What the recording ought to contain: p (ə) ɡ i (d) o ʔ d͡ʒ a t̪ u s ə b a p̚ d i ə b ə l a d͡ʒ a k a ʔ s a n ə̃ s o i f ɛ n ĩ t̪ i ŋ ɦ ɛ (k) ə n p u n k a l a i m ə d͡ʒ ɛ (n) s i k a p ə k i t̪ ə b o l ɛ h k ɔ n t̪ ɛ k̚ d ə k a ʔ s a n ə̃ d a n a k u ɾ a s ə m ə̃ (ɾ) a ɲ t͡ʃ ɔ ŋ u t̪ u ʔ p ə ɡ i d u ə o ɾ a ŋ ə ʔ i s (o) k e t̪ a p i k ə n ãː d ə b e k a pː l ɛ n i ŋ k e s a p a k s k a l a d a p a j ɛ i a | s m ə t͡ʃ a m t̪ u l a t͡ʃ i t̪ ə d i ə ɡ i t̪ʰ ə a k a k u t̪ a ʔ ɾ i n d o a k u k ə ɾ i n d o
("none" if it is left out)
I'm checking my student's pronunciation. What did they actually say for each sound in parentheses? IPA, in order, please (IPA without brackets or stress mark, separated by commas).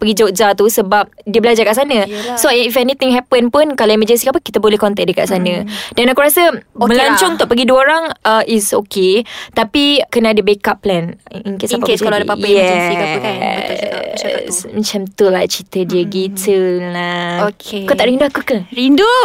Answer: ə, d͡ʒ, p, n, l, o